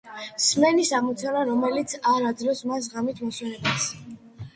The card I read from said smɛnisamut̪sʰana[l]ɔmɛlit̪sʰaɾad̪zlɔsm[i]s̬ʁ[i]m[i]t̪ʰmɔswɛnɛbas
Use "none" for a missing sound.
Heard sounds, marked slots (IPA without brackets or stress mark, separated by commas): ɾ, a, a, i